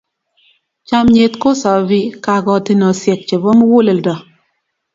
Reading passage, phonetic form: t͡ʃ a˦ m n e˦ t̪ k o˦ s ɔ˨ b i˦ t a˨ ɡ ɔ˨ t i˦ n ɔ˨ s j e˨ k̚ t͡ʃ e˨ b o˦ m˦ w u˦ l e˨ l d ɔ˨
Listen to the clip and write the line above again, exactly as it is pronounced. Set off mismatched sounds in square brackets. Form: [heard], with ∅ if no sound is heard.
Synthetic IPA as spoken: t͡ʃ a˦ m [ɲ] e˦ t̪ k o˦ s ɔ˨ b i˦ [k] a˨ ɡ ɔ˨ t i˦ n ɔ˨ s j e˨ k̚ t͡ʃ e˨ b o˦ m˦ w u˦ l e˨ l d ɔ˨